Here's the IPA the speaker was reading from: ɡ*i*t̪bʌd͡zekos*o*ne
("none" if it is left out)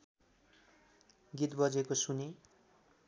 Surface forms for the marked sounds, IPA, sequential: i, u

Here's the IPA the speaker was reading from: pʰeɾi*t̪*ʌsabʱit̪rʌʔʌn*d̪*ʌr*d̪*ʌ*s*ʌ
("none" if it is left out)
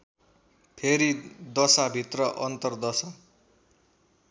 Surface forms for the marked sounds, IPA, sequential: d̪, t̪, d̪, s

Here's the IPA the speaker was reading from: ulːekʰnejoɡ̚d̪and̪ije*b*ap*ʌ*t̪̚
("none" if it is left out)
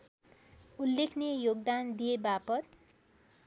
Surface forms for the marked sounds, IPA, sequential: b, ʌ

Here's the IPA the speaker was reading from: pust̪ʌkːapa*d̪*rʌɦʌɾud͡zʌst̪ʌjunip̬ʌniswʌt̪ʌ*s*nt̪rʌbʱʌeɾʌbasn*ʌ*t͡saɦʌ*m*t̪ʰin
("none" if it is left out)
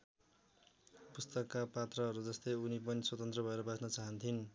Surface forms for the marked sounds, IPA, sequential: t̪, none, ʌ, n

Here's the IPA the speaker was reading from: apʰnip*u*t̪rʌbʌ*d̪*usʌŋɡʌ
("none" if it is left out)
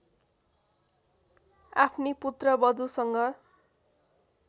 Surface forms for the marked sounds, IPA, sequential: u, d̪

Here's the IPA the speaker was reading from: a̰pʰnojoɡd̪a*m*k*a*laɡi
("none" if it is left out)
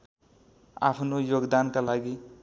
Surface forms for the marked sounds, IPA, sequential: n, a

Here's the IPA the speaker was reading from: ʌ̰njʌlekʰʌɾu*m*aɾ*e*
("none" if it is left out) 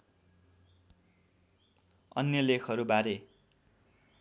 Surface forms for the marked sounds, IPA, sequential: b, e

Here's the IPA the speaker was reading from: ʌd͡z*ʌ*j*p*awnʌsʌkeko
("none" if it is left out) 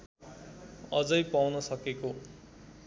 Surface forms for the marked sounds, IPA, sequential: ʌ, p

